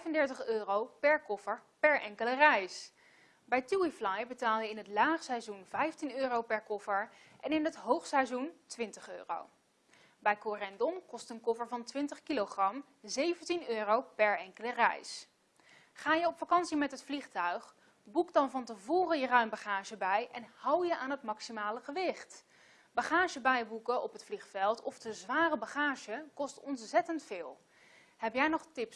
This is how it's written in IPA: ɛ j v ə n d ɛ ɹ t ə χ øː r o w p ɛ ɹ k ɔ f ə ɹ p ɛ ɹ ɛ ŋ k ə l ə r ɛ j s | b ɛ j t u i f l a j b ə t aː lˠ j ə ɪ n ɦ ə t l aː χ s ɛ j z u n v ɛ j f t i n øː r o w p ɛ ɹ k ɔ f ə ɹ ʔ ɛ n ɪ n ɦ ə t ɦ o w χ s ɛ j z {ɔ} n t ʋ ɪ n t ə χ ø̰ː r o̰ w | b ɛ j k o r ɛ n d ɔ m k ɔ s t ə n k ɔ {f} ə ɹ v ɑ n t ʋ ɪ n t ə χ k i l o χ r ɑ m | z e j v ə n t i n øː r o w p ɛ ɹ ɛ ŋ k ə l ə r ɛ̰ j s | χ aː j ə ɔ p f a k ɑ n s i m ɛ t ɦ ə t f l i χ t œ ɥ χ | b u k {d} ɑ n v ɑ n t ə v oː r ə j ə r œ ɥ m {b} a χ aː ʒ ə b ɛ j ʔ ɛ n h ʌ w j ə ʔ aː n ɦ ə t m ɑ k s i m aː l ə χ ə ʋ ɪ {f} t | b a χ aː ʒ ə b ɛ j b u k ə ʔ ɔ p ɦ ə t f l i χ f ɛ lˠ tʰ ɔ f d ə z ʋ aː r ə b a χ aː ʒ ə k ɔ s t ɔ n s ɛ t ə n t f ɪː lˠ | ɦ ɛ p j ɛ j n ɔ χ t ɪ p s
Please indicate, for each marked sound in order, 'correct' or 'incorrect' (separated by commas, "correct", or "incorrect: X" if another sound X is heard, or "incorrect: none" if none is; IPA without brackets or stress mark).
incorrect: u, correct, correct, correct, incorrect: χ